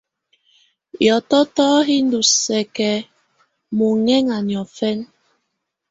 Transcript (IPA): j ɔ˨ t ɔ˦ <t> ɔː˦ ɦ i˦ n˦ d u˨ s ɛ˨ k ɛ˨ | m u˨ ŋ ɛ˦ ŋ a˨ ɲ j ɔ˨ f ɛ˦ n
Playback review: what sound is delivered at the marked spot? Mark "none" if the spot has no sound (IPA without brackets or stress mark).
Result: t